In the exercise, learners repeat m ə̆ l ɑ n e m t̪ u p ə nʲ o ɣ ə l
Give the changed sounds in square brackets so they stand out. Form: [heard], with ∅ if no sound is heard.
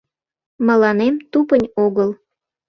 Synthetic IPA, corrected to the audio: m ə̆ l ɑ n e m t̪ u p ə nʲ o ɣ ə l

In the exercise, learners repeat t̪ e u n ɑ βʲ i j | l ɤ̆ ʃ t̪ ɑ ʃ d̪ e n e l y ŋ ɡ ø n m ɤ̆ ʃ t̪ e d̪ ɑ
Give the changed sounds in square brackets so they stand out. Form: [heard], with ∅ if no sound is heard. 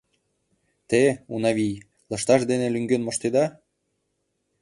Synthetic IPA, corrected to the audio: t̪ e u n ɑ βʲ i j | l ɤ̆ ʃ t̪ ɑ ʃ d̪ e n e l y ŋ ɡ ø n m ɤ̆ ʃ t̪ e d̪ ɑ

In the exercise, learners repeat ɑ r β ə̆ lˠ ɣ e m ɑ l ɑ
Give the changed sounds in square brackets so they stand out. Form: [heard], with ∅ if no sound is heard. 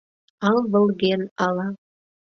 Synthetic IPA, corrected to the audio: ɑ [l] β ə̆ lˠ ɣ e [n] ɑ l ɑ

